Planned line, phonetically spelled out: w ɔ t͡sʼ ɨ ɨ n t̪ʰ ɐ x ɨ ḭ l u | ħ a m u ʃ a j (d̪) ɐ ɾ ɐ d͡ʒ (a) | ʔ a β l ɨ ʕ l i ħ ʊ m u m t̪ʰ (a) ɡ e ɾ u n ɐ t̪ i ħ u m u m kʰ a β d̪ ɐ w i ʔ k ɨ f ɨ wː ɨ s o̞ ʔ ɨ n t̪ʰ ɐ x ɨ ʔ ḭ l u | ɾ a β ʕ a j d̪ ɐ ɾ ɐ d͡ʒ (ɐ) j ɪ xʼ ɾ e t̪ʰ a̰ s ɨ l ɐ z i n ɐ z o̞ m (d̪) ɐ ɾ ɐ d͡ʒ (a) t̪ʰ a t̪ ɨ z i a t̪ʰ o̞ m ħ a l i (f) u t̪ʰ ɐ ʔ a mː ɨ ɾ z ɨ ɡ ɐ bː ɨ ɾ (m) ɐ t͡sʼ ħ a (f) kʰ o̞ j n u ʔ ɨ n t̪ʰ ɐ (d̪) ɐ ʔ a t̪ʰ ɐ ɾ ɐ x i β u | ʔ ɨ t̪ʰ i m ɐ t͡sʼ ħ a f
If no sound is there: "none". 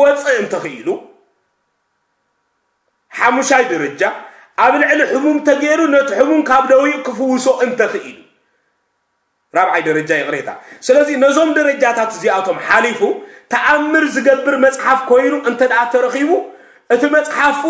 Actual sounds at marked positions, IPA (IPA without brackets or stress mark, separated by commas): d̪, a, ɐ, a, d̪, a, f, m, f, d̪